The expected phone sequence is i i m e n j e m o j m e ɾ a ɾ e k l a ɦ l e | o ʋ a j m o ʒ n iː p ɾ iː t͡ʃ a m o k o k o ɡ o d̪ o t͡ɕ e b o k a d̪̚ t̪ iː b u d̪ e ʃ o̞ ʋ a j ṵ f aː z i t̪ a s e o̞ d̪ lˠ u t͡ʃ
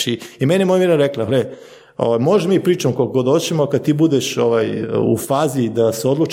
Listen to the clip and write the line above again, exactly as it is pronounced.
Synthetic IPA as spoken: i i m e n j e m o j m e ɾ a ɾ e k l a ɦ l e | o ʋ a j m o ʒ m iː p ɾ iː t͡ʃ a m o k o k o ɡ o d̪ o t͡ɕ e m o k a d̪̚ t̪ iː b u d̪ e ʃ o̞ ʋ a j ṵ f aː z i d̪ a s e o̞ d̪ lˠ u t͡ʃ